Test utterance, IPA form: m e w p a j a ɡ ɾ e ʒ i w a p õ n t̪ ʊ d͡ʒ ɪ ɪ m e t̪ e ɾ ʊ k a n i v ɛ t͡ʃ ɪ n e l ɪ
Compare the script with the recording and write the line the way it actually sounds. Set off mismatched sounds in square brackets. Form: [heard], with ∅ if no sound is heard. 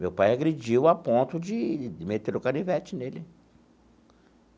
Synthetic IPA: m e w p a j a ɡ ɾ e [d͡ʒ] i w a p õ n t̪ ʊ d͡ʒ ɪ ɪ m e t̪ e ɾ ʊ k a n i v ɛ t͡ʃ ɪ n e l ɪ